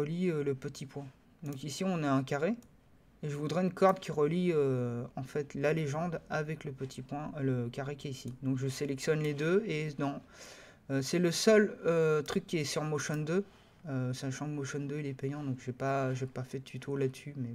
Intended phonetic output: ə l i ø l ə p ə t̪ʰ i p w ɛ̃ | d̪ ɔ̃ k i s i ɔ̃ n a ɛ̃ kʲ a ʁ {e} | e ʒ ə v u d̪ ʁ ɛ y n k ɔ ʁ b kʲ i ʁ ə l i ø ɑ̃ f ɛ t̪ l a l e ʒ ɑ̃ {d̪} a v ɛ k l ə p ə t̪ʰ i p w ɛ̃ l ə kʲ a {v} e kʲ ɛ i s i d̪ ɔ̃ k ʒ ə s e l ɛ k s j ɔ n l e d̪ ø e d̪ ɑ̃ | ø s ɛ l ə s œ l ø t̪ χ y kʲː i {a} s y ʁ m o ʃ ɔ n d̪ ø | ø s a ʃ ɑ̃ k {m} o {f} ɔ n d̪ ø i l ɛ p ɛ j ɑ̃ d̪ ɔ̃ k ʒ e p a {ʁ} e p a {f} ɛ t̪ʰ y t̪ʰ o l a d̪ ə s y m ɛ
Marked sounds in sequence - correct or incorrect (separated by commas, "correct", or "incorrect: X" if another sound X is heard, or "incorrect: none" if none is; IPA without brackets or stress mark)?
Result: correct, correct, incorrect: ʁ, incorrect: ɛ, correct, incorrect: ʃ, incorrect: ʒ, correct